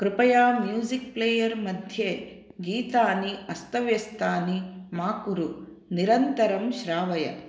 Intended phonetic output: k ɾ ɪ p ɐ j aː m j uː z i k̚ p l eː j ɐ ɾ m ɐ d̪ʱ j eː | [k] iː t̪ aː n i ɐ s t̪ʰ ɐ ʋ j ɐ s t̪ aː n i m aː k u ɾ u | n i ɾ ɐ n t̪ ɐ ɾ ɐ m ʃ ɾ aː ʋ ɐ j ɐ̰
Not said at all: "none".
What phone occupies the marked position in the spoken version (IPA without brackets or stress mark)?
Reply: ɡ